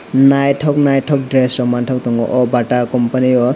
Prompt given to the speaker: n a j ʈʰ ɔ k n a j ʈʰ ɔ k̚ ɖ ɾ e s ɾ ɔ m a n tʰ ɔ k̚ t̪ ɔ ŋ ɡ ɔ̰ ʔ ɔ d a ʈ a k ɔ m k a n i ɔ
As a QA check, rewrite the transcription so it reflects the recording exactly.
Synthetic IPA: n a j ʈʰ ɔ k n a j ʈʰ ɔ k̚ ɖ ɾ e s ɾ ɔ m a n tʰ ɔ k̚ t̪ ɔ ŋ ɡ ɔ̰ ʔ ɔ b a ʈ a k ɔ m p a n i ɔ